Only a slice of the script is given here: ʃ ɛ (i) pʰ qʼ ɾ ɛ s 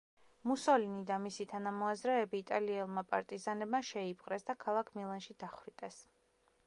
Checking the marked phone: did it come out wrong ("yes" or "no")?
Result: no